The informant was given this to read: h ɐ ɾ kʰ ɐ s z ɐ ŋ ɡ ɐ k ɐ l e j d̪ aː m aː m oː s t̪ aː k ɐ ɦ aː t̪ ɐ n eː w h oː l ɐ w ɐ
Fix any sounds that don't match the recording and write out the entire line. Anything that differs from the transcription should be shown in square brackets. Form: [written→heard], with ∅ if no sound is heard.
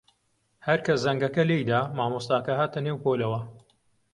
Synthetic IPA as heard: h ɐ ɾ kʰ ɐ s z ɐ ŋ ɡ ɐ k ɐ l e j d̪ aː m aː m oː s t̪ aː k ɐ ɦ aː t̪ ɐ n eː w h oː l ɐ w ɐ